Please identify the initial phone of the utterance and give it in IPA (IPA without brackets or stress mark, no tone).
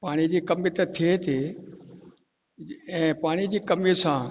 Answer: p